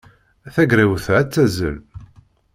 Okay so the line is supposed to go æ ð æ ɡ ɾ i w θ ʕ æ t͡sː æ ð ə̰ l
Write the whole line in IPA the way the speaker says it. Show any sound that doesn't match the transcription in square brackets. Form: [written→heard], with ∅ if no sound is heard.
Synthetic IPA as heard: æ [ð→θ] æ ɡ ɾ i w θ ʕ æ t͡sː æ [ð→z] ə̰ l